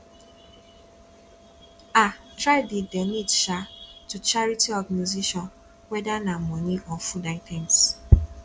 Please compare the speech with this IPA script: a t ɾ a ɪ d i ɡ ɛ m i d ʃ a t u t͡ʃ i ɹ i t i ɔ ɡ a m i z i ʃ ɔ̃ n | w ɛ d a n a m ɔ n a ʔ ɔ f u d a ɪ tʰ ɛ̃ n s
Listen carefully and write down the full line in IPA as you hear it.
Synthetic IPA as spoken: a t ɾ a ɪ d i d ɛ n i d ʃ a t u t͡ʃ a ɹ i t i ɔ ɡ a n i z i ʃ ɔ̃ n | w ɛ d a n a m ɔ n i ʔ ɔ f u d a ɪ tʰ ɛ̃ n s